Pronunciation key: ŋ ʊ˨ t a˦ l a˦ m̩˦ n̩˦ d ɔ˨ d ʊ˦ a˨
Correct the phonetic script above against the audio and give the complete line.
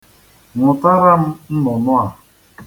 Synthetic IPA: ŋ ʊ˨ t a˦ ɾ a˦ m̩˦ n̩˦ n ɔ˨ n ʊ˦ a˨

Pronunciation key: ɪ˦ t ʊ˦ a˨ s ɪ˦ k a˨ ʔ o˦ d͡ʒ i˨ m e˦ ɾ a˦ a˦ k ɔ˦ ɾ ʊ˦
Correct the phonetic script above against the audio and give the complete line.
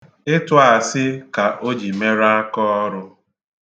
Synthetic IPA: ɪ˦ t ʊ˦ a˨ s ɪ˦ k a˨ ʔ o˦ d͡ʒ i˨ m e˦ ɾ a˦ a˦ k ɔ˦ ɾ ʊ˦

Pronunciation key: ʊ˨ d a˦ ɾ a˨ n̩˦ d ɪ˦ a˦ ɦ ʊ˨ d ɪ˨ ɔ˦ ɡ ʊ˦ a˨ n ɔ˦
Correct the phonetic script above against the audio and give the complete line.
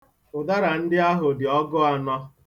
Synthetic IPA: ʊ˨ d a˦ ɾ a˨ n̩˦ d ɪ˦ a˦ ɦ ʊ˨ d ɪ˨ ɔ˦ ɡ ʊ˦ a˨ n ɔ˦

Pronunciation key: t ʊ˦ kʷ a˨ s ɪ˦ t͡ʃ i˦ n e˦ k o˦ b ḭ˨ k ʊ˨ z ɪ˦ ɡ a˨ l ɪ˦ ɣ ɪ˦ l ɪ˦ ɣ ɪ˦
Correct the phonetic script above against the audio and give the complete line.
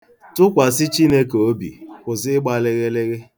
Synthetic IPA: t ʊ˦ kʷ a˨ s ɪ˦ t͡ʃ i˦ n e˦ k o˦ b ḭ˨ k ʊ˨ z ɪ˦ ɡ͡b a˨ l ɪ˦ ɣ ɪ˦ l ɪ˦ ɣ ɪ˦

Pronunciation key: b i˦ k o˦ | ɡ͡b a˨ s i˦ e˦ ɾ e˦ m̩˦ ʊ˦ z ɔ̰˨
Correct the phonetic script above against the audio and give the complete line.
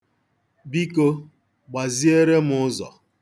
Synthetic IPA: b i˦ k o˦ | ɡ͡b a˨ z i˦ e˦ ɾ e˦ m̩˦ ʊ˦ z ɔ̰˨

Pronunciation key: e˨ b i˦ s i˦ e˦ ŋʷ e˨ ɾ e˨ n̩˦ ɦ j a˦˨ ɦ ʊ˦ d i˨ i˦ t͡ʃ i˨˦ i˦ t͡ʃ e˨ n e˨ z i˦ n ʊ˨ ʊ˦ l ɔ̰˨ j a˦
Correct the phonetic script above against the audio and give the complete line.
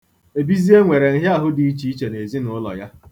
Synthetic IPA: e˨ b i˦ z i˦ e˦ ŋʷ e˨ ɾ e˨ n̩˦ ɦ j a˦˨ ɦ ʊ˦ d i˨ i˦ t͡ʃ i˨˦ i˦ t͡ʃ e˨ n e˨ z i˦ n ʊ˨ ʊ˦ l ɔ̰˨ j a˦

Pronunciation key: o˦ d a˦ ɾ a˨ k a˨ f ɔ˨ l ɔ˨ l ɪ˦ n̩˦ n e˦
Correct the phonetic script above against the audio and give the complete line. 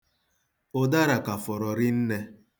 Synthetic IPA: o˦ d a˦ ɾ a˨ k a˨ f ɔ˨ ɾ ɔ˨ ɾ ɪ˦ n̩˦ n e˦

